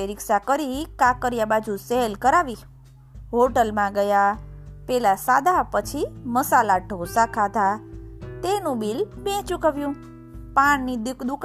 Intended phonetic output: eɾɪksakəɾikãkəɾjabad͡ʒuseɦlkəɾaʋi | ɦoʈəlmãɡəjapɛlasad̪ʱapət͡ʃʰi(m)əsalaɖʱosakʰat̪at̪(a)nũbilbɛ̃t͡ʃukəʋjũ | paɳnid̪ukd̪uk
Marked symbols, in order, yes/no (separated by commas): yes, no